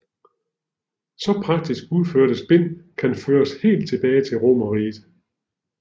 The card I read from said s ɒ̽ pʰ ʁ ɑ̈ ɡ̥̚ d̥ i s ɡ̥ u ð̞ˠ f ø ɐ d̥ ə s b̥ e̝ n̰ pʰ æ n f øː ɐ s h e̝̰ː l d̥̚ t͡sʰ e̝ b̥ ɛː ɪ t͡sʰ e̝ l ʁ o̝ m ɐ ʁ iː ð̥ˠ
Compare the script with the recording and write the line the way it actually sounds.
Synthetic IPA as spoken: s ɒ̽ pʰ ʁ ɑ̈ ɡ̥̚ d̥ i s ɡ̥ u ð̞ˠ f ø ɐ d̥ ə s b̥ e̝ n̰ kʰ æ n f øː ɐ s h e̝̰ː l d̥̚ t͡sʰ e̝ b̥ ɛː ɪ t͡sʰ e̝ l ʁ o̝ m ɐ ʁ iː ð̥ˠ